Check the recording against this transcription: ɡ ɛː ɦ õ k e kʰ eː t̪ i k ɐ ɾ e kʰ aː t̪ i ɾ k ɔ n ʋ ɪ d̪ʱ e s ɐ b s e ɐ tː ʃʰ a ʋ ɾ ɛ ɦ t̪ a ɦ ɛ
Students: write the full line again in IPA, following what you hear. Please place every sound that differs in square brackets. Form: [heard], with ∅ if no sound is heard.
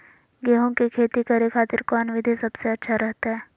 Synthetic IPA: ɡ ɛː ɦ õ k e kʰ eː t̪ i k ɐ ɾ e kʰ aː t̪ [ɪ] ɾ k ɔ n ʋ ɪ d̪ʱ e s ɐ b s e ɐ tː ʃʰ a [∅] ɾ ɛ ɦ t̪ a ɦ [ɛː]